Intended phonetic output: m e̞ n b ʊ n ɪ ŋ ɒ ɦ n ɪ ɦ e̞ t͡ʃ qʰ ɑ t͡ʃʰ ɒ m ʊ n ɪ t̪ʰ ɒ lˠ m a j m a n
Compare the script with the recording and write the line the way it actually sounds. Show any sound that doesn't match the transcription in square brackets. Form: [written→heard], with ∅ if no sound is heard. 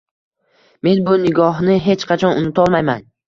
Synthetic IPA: m e̞ n b ʊ n ɪ [ŋ→ɡ] ɒ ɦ n ɪ ɦ e̞ t͡ʃ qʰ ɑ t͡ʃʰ ɒ [m→n] ʊ n ɪ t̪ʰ ɒ lˠ m a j m a n